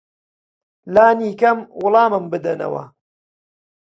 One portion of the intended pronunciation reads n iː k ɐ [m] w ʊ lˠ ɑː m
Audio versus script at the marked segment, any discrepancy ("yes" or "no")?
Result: no